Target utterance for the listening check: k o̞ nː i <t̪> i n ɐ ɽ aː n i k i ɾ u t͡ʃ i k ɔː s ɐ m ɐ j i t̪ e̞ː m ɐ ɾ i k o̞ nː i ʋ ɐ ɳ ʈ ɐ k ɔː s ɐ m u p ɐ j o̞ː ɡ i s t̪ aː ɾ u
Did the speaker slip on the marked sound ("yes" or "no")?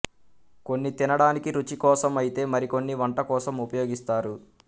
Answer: no